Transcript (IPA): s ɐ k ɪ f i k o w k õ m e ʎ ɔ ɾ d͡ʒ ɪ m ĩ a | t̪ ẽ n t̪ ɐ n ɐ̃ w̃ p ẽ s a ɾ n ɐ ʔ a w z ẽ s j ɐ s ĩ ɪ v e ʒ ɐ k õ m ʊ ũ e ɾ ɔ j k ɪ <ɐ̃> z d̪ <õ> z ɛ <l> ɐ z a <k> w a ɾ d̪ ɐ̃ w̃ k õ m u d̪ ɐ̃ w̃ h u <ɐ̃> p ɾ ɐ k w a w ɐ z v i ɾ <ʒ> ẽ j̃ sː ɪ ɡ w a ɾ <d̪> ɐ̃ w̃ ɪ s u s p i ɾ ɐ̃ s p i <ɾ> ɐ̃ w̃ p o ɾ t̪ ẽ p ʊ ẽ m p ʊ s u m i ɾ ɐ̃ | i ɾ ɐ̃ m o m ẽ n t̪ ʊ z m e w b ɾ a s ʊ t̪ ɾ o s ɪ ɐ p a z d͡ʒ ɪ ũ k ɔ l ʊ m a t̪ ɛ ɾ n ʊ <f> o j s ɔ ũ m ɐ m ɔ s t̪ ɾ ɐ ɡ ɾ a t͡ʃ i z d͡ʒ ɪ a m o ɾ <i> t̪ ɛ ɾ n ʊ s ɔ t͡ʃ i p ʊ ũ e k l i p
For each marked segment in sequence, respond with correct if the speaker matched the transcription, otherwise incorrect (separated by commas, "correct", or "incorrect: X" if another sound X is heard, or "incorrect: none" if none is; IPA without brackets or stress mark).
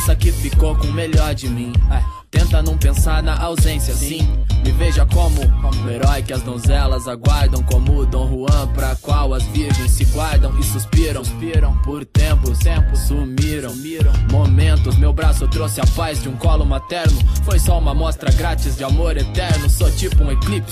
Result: incorrect: ɐ, correct, correct, incorrect: ɡ, correct, correct, correct, correct, correct, incorrect: e